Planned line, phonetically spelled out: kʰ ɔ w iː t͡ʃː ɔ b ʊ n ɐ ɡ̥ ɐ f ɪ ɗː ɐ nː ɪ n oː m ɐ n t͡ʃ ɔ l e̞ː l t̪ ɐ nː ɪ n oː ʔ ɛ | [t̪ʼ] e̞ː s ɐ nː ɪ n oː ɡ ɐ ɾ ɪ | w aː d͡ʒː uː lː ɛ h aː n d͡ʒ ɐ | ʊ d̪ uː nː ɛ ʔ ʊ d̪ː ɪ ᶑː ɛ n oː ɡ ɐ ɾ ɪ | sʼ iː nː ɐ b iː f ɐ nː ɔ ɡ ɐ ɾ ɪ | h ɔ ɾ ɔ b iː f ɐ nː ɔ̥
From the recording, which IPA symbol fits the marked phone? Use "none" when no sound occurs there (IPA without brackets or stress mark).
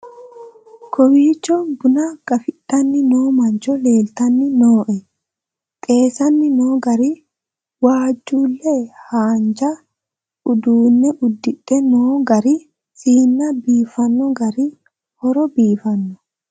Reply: t̪ʼ